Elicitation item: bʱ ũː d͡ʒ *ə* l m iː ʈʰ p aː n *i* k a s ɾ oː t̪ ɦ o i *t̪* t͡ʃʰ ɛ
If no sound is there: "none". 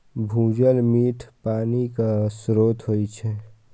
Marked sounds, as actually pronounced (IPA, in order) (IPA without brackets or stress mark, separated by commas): ə, i, none